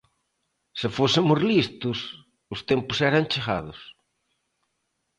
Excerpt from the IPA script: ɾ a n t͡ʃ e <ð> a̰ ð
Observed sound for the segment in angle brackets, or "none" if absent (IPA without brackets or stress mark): ɣ